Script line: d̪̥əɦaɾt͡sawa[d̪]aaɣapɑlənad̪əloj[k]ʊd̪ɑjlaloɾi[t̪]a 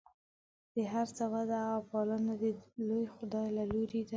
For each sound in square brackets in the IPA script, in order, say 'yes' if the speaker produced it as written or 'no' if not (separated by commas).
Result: yes, no, no